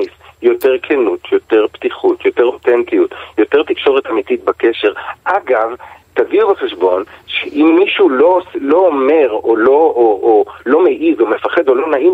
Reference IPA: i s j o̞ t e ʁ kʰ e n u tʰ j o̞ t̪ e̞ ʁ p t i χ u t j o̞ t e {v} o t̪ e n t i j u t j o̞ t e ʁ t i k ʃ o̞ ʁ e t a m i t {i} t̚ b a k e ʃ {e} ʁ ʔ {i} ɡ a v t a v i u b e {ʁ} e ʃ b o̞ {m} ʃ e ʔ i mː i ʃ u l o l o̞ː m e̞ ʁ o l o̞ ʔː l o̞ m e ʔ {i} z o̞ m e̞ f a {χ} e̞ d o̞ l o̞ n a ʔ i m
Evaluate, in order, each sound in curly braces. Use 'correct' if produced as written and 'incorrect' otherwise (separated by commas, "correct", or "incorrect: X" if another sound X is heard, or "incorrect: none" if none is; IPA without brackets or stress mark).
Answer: incorrect: ʁ, correct, correct, incorrect: a, incorrect: χ, incorrect: n, correct, correct